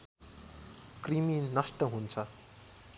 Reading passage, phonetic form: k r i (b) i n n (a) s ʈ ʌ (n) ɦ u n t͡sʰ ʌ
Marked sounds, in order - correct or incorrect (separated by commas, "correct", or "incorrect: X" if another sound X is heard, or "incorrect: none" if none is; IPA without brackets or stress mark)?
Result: incorrect: m, incorrect: ʌ, incorrect: none